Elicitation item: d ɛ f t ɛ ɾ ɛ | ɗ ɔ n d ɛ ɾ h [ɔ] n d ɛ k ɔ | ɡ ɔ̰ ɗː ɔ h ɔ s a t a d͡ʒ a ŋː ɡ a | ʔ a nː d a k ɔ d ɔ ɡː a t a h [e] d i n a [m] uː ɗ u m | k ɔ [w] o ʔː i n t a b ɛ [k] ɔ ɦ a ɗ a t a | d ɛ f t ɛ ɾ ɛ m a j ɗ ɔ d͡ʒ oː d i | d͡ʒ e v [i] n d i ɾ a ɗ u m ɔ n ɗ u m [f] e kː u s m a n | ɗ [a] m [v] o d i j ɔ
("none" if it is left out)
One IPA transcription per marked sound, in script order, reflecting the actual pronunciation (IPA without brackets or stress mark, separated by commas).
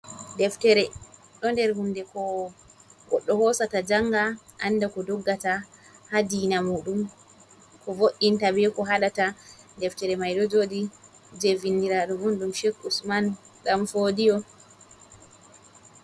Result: u, a, m, v, k, i, ʃ, a, f